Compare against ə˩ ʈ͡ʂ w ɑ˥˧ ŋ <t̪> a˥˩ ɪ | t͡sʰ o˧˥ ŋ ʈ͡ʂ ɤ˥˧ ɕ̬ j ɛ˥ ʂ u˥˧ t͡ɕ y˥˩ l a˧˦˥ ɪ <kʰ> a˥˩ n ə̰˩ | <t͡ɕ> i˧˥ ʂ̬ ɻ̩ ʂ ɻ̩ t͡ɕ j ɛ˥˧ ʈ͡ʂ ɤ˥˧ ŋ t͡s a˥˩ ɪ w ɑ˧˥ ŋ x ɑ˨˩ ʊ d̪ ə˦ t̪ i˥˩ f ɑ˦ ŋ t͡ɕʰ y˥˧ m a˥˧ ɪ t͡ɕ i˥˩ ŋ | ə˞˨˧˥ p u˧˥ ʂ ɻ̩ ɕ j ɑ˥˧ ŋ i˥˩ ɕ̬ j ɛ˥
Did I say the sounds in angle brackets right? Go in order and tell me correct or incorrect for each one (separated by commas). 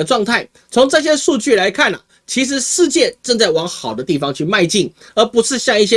incorrect, correct, incorrect